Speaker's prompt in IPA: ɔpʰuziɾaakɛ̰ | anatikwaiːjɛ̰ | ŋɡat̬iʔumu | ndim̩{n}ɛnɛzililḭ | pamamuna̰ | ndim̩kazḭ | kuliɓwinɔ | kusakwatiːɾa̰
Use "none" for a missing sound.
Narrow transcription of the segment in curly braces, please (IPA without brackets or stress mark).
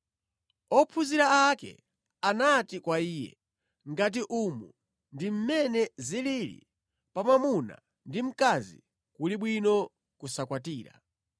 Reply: m